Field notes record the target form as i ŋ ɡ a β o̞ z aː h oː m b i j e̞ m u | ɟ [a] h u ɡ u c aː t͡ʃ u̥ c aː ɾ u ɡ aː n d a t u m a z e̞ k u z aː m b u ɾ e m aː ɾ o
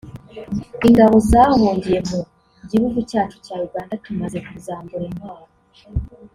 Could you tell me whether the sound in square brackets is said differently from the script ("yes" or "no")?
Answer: yes